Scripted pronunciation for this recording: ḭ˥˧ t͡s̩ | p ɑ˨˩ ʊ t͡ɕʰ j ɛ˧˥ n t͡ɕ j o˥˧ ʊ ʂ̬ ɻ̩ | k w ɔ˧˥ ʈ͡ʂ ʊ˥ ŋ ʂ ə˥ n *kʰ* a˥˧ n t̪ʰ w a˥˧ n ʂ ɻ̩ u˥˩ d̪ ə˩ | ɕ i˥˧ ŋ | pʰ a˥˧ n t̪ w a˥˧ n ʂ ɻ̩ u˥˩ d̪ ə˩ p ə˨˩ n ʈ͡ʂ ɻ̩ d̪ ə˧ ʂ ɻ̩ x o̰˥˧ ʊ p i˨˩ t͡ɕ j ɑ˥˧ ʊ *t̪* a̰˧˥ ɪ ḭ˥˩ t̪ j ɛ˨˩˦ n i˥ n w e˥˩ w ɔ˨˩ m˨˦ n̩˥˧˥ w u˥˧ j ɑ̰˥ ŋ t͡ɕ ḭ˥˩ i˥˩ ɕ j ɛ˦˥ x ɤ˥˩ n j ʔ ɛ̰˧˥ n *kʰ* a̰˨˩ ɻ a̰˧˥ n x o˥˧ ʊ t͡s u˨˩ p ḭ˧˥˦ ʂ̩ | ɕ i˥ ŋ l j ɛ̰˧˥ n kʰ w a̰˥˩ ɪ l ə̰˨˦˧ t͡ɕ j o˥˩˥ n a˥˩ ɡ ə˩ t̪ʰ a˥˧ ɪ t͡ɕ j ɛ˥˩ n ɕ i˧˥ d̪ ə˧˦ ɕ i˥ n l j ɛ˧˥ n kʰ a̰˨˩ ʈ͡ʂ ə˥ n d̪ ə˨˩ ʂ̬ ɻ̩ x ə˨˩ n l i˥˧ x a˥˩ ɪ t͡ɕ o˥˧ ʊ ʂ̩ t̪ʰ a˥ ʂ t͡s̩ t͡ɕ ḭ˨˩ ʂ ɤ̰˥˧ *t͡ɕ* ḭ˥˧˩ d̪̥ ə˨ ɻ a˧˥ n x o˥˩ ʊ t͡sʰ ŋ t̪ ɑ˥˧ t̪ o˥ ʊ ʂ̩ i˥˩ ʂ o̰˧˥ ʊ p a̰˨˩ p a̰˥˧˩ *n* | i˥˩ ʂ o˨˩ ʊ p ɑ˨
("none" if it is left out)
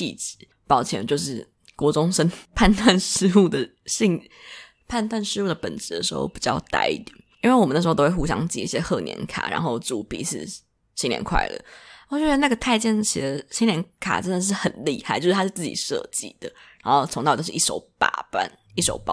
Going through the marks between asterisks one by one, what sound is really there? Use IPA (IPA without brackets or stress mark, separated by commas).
pʰ, t̪, kʰ, t͡ɕ, n